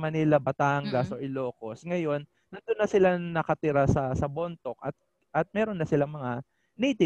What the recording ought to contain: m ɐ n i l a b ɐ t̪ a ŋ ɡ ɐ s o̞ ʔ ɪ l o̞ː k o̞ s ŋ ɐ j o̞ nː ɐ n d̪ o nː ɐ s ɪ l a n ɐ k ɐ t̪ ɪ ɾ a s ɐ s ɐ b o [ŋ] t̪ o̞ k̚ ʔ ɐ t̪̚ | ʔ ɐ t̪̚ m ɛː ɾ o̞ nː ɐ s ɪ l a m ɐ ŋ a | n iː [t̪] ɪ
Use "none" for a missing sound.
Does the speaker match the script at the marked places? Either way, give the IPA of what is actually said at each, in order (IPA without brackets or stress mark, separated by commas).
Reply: n, t̪